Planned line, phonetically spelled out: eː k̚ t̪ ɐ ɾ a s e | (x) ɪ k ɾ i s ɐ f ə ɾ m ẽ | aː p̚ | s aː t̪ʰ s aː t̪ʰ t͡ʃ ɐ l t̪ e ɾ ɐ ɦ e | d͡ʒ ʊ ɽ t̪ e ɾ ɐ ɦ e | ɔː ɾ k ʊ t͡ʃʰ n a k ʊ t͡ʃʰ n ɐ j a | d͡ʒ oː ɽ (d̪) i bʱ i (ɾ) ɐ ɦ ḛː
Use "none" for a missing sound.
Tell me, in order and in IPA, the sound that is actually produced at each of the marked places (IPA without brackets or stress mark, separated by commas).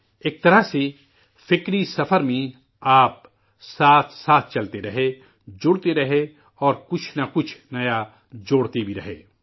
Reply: f, t̪, ɾ